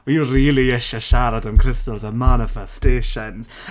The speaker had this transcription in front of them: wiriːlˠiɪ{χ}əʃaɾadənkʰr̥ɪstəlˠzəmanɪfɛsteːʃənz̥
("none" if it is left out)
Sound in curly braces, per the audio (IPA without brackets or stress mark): ʃ